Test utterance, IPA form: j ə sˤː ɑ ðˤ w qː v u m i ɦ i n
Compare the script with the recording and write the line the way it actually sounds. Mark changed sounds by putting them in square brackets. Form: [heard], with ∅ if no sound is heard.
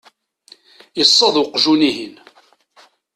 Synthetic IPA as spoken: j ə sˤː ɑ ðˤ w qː [ʒ] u [n] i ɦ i n